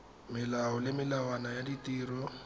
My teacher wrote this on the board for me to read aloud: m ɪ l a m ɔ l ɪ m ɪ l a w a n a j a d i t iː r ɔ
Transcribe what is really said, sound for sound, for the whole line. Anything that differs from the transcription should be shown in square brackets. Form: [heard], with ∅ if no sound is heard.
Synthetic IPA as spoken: m ɪ l a [∅] ɔ l ɪ m ɪ l a w a n a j a d i t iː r ɔ